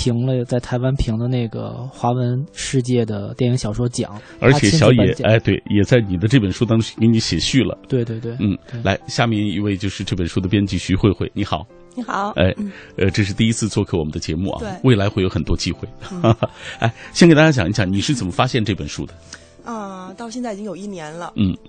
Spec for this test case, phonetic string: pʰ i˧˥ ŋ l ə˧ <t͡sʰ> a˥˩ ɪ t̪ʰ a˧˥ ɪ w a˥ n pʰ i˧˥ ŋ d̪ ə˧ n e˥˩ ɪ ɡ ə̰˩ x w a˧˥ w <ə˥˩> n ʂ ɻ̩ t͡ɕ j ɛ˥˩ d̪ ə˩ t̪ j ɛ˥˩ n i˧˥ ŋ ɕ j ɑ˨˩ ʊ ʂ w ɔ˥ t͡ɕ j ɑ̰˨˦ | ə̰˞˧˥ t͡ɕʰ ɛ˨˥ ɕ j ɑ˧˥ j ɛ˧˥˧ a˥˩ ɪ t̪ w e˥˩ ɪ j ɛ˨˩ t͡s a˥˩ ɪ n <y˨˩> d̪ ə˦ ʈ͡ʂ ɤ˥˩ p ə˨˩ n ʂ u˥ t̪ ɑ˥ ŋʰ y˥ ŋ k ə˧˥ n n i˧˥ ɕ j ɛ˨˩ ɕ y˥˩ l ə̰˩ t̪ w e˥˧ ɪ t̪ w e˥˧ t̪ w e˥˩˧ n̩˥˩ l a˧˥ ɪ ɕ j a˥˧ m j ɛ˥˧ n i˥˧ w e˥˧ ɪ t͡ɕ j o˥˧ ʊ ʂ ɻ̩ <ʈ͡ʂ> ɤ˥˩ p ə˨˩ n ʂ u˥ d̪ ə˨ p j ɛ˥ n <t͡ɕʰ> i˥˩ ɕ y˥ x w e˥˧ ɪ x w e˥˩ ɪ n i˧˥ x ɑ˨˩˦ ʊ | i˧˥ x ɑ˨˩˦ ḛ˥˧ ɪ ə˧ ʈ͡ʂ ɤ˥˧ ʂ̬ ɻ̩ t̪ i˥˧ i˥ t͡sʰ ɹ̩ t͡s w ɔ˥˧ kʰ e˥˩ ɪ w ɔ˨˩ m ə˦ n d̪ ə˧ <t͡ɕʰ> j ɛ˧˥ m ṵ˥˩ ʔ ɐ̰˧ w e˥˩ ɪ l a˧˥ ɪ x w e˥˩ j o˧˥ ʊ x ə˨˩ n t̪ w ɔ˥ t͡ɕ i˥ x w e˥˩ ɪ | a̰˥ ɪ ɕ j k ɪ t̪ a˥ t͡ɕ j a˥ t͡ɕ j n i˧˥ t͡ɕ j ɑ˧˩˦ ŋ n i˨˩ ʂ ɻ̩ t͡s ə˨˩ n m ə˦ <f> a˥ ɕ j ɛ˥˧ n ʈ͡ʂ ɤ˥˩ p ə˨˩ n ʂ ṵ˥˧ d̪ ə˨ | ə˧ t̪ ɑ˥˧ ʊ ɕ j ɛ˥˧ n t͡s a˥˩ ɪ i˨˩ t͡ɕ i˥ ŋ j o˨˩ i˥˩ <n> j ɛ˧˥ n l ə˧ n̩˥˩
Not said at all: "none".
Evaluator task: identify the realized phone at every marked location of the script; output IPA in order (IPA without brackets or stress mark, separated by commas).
t͡s, ə˧˥, i˨˩, ʈ͡ʂ, t͡ɕ, t͡ɕ, f, n